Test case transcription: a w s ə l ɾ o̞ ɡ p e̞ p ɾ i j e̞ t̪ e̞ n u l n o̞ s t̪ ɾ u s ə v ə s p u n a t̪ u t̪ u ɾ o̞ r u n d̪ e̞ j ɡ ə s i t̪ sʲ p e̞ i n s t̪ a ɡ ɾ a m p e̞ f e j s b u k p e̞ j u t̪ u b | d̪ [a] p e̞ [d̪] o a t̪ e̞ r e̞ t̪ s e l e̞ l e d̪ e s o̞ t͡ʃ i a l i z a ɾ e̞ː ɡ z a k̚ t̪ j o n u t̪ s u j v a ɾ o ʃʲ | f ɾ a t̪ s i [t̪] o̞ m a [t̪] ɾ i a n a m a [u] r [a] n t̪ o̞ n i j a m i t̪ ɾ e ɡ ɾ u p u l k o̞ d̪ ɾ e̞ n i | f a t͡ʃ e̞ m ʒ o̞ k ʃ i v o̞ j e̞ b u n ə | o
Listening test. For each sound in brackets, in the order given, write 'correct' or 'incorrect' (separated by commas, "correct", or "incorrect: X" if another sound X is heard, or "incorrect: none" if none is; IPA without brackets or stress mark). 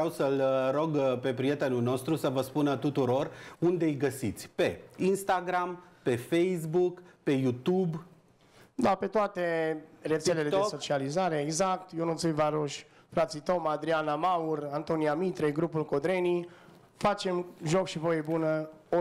correct, incorrect: t̪, correct, incorrect: d̪, correct, correct